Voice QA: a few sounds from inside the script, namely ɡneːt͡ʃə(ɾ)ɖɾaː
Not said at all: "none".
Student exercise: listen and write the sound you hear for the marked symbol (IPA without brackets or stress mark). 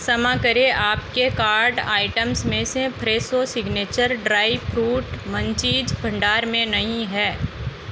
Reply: ɾ